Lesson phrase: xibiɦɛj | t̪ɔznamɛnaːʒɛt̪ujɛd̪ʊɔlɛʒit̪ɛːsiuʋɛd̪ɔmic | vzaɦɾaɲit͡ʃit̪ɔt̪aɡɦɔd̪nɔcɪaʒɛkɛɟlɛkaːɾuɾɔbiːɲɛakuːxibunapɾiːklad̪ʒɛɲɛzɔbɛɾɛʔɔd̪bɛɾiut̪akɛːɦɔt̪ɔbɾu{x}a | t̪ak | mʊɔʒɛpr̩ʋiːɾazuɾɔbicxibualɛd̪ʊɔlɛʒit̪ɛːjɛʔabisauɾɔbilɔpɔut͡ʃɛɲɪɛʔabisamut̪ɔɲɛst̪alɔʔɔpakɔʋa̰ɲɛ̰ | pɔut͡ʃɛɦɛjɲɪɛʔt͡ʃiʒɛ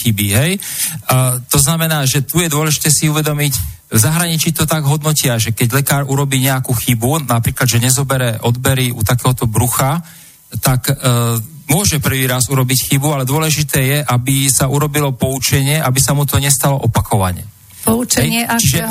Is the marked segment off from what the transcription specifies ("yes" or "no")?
no